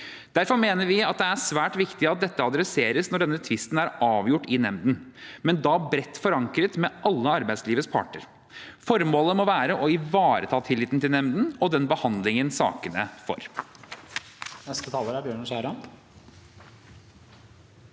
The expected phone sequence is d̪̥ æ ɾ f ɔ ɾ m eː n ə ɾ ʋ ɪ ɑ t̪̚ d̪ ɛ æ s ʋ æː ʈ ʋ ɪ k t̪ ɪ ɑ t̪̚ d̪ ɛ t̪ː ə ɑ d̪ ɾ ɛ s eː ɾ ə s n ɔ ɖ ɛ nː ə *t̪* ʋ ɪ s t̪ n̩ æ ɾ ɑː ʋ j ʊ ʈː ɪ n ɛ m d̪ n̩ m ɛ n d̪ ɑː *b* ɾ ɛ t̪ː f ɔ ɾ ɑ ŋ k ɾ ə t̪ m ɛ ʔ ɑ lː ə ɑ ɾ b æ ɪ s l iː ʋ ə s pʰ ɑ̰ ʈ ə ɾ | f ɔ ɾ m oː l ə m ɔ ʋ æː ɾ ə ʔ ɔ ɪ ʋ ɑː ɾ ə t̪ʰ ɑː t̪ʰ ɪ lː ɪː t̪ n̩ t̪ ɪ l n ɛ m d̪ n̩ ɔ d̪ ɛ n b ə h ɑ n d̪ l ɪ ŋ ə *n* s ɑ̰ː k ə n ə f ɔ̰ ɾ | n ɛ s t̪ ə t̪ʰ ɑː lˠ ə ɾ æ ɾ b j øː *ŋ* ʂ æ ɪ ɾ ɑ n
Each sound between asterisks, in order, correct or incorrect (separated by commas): incorrect, correct, correct, incorrect